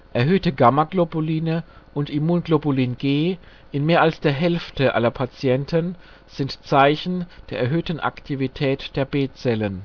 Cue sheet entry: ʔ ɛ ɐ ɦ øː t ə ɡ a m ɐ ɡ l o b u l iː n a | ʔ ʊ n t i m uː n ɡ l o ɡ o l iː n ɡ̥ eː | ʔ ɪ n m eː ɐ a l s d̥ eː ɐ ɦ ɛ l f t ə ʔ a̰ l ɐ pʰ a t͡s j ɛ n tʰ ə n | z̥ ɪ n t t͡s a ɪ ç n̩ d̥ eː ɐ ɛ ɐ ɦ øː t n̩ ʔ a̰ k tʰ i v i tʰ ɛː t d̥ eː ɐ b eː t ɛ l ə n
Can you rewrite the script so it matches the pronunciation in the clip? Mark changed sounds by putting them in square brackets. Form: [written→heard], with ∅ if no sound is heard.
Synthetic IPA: ʔ ɛ ɐ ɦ øː t ə ɡ a m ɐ ɡ l o b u l iː n [a→ə] | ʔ ʊ n t i m uː n ɡ l o [ɡ→b] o l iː n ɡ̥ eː | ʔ ɪ n m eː ɐ a l s d̥ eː ɐ ɦ ɛ l f t ə ʔ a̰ l ɐ pʰ a t͡s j ɛ n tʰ ə n | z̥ ɪ n t t͡s a ɪ ç n̩ d̥ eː ɐ ɛ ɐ ɦ øː t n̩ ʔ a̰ k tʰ i v i tʰ ɛː t d̥ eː ɐ b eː [t→t͡s] ɛ l ə n